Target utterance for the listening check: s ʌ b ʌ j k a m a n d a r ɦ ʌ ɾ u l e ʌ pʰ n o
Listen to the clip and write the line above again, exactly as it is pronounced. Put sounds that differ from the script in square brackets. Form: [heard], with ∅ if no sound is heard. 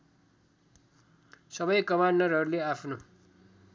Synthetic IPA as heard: s ʌ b ʌ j k [ʌ] m a n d [ʌ] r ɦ ʌ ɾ u l e [a] pʰ n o